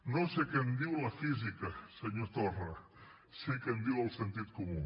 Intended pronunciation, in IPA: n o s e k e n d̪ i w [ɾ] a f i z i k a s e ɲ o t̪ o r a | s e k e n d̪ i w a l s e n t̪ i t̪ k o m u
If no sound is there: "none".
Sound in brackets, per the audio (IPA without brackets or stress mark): l